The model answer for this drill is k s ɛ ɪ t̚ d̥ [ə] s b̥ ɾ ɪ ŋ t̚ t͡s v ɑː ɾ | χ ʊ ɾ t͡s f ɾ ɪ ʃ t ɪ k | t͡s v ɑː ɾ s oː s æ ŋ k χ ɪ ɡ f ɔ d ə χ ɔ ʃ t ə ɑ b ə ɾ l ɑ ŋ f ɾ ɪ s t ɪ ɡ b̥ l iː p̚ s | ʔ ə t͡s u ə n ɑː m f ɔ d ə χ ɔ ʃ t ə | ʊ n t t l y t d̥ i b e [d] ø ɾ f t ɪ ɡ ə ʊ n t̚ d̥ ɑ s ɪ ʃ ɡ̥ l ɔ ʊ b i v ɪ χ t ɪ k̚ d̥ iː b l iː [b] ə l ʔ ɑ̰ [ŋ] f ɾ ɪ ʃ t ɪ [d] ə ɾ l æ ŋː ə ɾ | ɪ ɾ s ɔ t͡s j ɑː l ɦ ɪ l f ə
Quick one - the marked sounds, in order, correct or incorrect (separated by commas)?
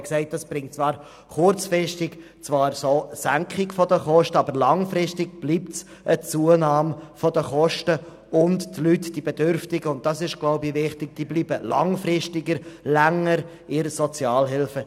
incorrect, correct, correct, correct, incorrect